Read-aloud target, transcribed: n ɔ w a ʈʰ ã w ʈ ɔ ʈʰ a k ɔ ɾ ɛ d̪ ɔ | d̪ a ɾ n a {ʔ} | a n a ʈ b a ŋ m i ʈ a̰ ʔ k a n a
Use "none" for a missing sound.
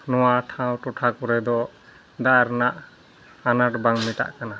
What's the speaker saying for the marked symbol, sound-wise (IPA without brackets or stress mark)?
ʔ